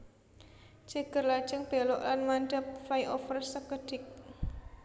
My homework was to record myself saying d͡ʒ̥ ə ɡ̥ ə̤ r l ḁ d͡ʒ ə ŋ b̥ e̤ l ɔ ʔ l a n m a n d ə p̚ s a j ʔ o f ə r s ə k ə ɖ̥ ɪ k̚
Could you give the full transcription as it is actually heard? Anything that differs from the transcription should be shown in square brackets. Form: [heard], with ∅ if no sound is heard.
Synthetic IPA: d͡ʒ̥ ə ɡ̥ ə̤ r l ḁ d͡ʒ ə ŋ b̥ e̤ l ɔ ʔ l a n m a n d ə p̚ [f] a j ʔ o f ə r s ə k ə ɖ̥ ɪ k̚